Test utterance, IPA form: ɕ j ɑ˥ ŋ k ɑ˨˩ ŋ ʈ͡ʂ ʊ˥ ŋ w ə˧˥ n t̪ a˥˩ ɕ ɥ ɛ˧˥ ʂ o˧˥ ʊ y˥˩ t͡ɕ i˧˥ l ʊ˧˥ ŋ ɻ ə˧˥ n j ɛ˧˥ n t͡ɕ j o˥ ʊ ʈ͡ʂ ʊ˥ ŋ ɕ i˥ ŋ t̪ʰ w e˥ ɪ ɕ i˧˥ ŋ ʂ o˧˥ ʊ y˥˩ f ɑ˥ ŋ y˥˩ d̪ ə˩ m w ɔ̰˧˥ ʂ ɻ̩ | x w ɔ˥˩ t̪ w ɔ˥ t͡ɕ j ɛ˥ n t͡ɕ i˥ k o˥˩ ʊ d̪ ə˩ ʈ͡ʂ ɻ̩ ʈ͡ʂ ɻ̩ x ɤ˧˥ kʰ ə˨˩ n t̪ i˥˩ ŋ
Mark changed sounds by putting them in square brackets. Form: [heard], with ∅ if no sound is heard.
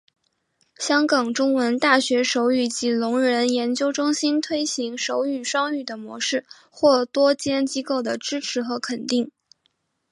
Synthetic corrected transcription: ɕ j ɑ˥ ŋ k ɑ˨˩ ŋ ʈ͡ʂ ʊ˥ ŋ w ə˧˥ n t̪ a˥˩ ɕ ɥ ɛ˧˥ ʂ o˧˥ ʊ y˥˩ t͡ɕ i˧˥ l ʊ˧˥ ŋ ɻ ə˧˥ n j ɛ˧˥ n t͡ɕ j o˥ ʊ ʈ͡ʂ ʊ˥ ŋ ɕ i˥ [n] t̪ʰ w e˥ ɪ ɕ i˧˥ ŋ ʂ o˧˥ ʊ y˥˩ [ʂ] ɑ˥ ŋ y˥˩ d̪ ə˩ m w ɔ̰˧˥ ʂ ɻ̩ | x w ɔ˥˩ t̪ w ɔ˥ t͡ɕ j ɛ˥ n t͡ɕ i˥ k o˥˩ ʊ d̪ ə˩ ʈ͡ʂ ɻ̩ [ʈ͡ʂʰ] ɻ̩ x ɤ˧˥ kʰ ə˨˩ n t̪ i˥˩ ŋ